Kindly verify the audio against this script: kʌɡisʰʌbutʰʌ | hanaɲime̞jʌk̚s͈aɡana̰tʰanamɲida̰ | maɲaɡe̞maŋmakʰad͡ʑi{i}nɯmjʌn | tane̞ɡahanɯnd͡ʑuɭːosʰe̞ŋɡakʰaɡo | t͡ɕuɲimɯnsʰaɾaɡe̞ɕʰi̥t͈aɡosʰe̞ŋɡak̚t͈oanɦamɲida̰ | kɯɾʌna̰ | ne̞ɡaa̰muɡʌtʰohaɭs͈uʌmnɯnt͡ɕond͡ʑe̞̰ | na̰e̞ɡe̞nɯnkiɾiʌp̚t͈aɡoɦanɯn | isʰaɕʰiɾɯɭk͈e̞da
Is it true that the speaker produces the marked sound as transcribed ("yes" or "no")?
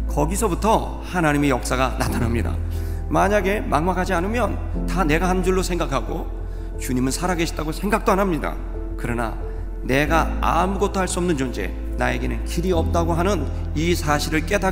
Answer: no